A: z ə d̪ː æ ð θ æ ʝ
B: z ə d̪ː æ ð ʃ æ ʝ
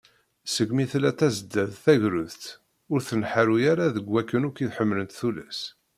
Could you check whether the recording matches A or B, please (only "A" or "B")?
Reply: A